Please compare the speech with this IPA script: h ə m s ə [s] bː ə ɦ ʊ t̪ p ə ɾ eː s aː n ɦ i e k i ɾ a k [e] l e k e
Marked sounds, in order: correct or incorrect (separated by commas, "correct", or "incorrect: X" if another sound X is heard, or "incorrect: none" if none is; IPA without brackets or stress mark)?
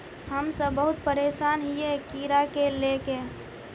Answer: incorrect: none, correct